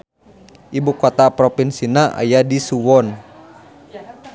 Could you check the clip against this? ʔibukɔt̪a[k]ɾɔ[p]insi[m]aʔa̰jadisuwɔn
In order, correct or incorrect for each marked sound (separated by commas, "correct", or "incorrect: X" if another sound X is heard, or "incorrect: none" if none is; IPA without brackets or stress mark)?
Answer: incorrect: p, correct, incorrect: n